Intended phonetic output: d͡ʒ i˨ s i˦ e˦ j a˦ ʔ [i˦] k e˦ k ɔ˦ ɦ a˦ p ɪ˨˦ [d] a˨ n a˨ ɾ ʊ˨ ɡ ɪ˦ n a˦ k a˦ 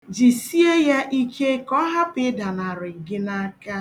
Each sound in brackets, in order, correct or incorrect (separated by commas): correct, correct